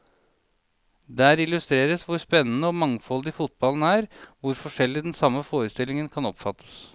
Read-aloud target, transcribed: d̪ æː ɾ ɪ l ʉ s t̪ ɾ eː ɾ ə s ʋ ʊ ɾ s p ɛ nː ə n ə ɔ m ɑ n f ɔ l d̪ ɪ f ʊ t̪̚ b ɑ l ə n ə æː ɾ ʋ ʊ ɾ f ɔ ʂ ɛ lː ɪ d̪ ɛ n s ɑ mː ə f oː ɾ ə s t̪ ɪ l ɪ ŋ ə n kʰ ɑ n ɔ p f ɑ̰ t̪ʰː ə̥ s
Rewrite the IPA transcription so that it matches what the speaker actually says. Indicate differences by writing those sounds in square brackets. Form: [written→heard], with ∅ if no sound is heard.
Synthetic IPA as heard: d̪ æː ɾ ɪ l ʉ s t̪ ɾ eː ɾ ə s ʋ ʊ ɾ s p ɛ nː ə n ə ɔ m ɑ [n→ŋ] f ɔ l d̪ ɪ f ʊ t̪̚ b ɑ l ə n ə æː ɾ ʋ ʊ ɾ f ɔ ʂ ɛ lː ɪ d̪ ɛ n s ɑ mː ə f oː ɾ ə s t̪ ɪ l ɪ ŋ ə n kʰ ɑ n ɔ p f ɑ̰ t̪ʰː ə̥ s